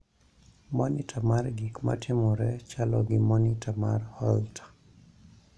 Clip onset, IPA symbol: m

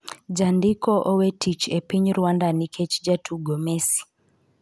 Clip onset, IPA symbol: d͡ʒ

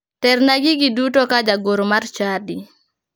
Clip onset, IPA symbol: t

